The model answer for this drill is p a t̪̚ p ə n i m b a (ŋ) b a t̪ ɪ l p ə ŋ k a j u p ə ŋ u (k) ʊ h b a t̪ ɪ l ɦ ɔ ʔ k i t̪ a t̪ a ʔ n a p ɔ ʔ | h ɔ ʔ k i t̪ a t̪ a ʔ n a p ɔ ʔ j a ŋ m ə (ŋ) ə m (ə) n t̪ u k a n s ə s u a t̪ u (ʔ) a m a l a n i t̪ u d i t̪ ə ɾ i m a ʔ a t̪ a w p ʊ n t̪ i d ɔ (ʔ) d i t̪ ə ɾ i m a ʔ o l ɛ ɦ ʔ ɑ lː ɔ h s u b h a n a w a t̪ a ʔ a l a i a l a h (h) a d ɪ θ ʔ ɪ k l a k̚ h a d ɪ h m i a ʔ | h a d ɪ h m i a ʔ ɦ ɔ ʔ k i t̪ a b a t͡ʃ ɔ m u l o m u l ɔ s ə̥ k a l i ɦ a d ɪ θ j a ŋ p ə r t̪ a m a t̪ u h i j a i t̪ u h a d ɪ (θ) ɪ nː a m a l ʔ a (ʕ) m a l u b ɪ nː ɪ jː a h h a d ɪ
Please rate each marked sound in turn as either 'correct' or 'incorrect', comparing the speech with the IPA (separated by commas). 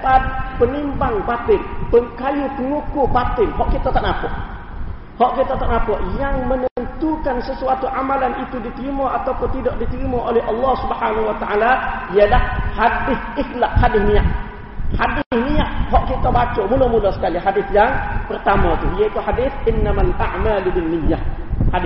correct, correct, incorrect, correct, correct, correct, correct, correct, correct